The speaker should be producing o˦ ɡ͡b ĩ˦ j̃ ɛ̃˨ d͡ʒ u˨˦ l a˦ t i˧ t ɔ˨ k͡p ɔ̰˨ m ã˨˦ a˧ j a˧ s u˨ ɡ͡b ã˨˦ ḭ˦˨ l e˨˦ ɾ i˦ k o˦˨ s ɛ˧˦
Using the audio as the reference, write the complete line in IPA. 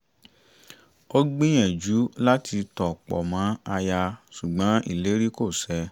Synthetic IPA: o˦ ɡ͡b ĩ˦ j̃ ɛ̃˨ d͡ʒ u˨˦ l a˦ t i˧ t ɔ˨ k͡p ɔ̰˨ m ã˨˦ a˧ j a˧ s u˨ ɡ͡b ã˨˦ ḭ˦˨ l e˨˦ ɾ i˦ k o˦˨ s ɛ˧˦